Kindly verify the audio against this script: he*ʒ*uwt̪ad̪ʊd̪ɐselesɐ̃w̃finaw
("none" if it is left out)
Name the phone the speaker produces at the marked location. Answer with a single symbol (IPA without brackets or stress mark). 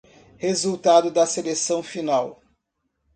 z